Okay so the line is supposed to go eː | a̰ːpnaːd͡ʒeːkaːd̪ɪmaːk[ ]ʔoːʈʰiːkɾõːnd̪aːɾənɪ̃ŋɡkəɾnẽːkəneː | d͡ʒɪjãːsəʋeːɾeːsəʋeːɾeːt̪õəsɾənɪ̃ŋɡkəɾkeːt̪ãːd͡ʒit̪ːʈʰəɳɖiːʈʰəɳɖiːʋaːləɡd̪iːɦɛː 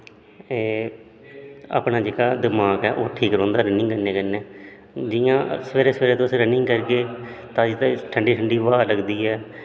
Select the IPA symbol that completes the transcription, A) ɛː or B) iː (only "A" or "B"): A